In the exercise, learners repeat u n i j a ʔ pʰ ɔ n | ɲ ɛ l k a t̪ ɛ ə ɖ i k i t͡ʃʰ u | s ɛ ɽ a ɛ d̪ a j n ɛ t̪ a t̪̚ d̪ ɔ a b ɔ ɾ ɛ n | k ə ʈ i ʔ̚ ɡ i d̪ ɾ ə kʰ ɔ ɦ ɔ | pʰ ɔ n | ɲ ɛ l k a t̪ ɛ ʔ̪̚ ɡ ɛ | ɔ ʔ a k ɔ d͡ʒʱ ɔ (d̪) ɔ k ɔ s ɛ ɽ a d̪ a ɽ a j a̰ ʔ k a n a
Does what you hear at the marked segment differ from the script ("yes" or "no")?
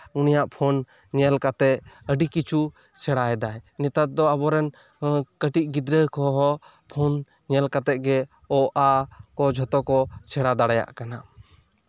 yes